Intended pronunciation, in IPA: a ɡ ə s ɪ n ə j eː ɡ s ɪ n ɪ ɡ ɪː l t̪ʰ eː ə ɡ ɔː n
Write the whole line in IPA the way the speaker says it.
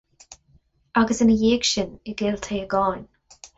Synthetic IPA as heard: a ɡ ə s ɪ n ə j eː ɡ ʃ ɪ n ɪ ɡ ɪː l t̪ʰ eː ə ɡ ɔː n